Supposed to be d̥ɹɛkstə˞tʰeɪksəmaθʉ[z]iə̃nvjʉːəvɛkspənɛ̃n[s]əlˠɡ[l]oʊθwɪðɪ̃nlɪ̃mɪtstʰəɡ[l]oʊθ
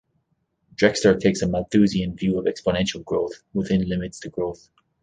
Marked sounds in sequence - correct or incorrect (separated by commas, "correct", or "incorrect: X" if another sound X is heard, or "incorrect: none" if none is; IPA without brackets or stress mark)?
correct, incorrect: ʃ, incorrect: ɹ, incorrect: ɹ